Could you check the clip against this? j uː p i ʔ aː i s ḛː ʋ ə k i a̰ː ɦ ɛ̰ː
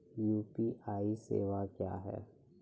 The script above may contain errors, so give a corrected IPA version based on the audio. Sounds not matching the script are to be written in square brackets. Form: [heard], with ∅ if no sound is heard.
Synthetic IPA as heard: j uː p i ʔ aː i s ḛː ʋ [a] k [j] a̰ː ɦ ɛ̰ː